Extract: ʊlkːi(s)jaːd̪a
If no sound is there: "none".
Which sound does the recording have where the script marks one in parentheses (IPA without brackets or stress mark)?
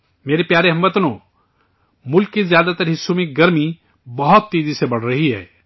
z